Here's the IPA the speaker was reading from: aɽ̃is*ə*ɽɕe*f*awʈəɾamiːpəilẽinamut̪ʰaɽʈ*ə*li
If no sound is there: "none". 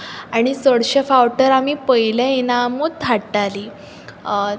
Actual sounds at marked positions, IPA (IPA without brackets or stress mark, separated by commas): ə, f, a